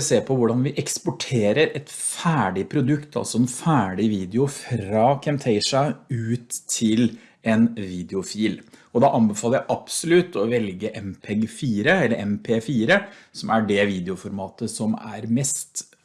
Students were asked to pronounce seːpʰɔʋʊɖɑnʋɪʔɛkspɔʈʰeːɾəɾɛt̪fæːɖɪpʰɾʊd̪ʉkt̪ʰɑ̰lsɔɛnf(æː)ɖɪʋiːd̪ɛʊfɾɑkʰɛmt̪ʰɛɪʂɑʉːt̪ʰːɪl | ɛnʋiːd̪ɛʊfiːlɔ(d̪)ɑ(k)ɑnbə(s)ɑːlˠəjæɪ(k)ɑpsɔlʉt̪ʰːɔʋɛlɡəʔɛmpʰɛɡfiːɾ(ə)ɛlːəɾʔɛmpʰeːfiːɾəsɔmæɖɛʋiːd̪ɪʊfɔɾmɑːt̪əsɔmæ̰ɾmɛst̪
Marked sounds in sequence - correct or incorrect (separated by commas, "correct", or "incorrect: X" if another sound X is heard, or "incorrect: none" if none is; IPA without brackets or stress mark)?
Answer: correct, correct, incorrect: ʔ, incorrect: f, incorrect: ʔ, correct